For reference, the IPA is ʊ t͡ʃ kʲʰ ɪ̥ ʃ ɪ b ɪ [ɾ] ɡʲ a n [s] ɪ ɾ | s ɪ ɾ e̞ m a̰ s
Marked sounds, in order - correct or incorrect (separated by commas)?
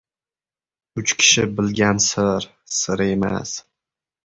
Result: incorrect, correct